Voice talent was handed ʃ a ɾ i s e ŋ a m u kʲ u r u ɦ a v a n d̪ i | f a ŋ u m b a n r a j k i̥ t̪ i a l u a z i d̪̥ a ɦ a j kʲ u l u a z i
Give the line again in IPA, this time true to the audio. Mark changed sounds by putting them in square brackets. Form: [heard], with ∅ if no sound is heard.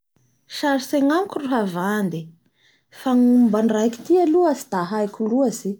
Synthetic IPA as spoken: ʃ a ɾ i s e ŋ a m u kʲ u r u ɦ a v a n d̪ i | f a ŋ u m b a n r a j k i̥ t̪ i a l u a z i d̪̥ a ɦ a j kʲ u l u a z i